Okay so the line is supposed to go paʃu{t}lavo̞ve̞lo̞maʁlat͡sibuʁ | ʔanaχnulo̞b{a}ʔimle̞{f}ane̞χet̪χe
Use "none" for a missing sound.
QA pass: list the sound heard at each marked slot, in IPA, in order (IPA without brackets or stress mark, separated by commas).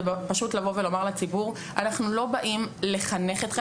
t, a, χ